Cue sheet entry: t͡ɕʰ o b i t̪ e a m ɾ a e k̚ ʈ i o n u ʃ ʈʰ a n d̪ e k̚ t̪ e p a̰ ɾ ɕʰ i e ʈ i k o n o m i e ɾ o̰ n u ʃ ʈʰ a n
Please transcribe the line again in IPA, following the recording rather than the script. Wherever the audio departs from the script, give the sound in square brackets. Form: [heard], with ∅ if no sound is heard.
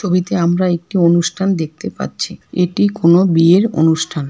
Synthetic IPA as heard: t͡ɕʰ o b i t̪ e a m ɾ a e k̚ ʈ i o n u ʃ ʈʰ a n d̪ e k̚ t̪ e p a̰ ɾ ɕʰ i e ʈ i k o n o [b] i e ɾ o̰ n u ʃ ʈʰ a n